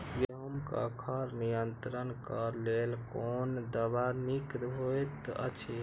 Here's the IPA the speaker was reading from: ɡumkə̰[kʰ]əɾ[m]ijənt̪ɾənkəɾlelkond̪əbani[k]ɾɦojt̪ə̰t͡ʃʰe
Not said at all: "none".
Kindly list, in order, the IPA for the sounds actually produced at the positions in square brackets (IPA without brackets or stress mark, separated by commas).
kʰ, n, k